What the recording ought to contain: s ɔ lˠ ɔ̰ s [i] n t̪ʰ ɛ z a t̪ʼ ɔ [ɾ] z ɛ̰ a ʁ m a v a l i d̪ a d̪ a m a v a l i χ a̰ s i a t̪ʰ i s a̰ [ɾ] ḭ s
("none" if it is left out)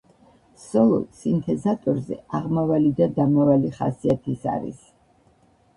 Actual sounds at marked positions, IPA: i, ɾ, ɾ

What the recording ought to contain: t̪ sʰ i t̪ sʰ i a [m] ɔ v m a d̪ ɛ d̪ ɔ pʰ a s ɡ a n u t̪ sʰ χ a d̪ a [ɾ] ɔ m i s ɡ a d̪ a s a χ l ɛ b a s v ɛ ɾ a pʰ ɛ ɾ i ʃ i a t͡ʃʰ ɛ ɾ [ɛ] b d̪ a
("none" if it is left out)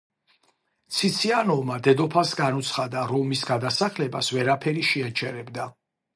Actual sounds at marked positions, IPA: n, ɾ, ɛ

